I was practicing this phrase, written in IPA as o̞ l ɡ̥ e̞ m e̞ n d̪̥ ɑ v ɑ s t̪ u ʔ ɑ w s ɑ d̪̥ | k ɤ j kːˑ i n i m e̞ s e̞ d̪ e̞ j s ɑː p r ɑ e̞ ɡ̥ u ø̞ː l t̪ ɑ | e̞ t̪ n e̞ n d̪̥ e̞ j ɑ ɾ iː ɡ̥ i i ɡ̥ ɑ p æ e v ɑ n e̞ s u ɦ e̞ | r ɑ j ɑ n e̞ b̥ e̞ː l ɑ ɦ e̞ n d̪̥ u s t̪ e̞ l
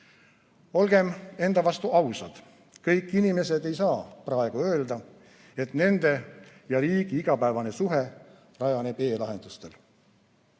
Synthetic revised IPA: o̞ l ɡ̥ e̞ m e̞ n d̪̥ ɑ v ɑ s t̪ u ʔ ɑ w s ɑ d̪̥ | k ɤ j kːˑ i n i m e̞ s e̞ d̪ e̞ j s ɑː p r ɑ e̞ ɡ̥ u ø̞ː l d̪ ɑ | e̞ t̪ n e̞ n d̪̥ e̞ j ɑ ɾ iː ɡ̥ i i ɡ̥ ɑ p æ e v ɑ n e̞ s u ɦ e̞ | r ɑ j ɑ n e̞ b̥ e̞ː l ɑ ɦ e̞ n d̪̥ u s t̪ e̞ l